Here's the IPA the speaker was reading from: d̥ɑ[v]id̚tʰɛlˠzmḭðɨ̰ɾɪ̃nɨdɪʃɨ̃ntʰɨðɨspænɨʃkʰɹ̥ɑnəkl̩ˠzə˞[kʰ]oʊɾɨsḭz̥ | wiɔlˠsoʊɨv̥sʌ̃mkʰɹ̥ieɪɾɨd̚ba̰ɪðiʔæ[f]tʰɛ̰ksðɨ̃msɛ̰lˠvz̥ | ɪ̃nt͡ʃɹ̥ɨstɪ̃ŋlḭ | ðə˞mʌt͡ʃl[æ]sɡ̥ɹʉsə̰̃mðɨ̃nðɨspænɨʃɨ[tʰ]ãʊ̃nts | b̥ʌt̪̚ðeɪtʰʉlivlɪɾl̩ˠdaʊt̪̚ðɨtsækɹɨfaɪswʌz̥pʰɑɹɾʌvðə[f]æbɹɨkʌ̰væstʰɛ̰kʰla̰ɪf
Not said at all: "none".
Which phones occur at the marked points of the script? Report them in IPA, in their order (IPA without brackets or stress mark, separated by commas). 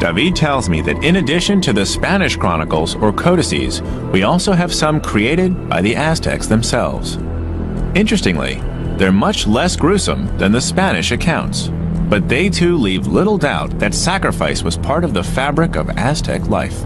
v, kʰ, s, ɛ, kʰ, f